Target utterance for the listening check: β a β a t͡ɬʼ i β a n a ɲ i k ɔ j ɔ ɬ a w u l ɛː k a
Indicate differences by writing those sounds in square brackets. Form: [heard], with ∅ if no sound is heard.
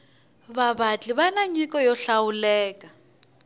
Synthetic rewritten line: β a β a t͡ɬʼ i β a n a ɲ i k ɔ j ɔ ɬ a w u l ɛː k a